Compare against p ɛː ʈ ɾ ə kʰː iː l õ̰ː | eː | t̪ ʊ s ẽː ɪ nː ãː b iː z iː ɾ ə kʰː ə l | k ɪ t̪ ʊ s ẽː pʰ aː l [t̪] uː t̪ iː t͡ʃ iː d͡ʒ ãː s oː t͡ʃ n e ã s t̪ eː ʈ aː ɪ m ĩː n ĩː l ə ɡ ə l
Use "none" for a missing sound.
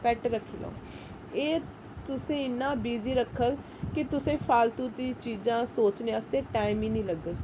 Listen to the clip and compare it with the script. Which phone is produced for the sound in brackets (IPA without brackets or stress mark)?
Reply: t̪